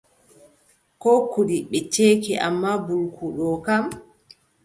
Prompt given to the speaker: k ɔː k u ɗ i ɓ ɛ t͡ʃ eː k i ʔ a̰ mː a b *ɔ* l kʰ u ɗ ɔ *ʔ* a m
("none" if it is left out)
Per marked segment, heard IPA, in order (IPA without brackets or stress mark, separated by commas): u, k